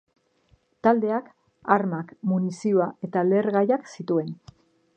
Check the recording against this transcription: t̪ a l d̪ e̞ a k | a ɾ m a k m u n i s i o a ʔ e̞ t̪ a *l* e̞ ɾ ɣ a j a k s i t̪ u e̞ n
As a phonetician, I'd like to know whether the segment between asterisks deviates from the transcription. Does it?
no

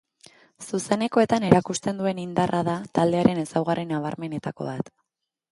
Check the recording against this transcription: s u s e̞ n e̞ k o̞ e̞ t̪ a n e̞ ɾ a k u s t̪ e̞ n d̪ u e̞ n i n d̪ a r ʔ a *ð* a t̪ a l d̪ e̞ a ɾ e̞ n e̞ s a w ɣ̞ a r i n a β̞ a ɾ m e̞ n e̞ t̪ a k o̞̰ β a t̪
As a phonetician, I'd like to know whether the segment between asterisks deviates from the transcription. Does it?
no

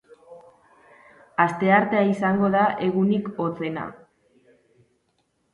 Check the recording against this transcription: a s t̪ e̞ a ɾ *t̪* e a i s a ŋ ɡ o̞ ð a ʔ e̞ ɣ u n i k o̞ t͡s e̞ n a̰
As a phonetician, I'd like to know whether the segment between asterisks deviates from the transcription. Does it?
no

